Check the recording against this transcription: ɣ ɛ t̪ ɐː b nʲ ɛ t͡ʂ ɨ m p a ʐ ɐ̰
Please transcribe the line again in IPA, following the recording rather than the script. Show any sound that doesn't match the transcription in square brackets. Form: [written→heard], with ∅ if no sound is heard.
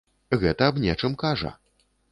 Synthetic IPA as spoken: ɣ ɛ t̪ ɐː b nʲ ɛ t͡ʂ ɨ m [p→k] a ʐ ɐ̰